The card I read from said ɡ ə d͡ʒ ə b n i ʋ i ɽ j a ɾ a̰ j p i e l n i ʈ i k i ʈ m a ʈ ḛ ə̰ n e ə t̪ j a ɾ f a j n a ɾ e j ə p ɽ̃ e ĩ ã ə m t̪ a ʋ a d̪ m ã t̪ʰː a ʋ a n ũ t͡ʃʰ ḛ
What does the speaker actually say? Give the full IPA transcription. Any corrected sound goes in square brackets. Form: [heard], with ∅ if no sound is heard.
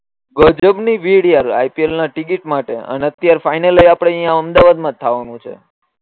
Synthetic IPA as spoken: ɡ ə d͡ʒ ə b n i ʋ i ɽ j a ɾ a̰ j p i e l n [a] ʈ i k i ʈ m a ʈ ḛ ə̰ n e ə t̪ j a ɾ f a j n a [l] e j [a] p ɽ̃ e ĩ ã ə m [d̪] a ʋ a d̪ m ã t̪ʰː a ʋ a n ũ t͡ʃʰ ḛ

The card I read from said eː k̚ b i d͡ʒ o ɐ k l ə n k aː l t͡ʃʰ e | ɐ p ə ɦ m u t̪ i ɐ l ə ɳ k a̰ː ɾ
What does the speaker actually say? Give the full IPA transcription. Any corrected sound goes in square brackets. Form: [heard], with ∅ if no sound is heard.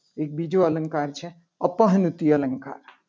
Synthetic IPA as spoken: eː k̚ b i d͡ʒ o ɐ [∅] l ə [ŋ] k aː [ɾ] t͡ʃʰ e | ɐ p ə ɦ [n] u t̪ i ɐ l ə [ŋ] k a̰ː ɾ

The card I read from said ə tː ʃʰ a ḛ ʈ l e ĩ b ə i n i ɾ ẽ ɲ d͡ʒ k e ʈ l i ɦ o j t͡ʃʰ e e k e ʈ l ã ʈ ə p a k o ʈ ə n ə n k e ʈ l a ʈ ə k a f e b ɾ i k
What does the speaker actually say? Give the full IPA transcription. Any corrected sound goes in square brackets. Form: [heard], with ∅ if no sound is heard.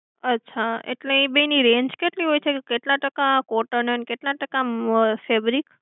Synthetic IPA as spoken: ə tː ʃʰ a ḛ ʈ l e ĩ b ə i n i ɾ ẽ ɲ d͡ʒ k e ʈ l i ɦ o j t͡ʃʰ e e k e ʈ l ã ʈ ə [k] a k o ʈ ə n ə n k e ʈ l a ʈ ə k a f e b ɾ i k

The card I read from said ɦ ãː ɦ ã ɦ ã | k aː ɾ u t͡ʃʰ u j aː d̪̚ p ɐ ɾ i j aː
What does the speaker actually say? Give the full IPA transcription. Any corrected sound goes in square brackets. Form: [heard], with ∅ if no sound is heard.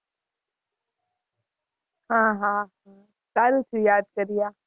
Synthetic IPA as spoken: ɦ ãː ɦ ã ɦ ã | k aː ɾ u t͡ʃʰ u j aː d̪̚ [k] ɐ ɾ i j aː

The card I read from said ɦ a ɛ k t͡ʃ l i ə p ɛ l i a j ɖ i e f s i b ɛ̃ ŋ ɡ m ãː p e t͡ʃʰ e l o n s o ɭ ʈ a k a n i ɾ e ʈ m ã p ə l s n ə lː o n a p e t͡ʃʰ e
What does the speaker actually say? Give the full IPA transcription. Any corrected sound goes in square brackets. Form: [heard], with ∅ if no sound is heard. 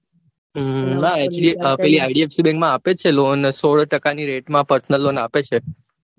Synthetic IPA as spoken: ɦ a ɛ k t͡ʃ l i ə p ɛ l i a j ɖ i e f s i b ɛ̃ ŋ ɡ m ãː p e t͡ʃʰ e l o n s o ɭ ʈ [ə] k a n i ɾ e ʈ m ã p ə [ɾ] s n ə lː o n a p e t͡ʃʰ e

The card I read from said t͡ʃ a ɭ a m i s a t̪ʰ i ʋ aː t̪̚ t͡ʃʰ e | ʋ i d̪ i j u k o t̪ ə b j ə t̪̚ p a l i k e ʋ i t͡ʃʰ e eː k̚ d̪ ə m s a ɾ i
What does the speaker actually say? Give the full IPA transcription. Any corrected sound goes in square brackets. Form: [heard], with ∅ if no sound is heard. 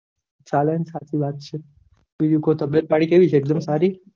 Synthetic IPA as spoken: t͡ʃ a [l] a [n] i s a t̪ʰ i ʋ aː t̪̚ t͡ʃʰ e | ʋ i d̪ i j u k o t̪ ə b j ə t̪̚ p a [ɽ] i k e ʋ i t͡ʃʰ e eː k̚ d̪ ə m s a ɾ i

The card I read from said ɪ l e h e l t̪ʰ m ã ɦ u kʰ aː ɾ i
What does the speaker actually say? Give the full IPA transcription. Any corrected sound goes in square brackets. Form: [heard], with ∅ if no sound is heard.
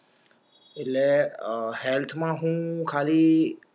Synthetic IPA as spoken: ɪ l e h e l t̪ʰ m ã ɦ [ũ] kʰ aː [l] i

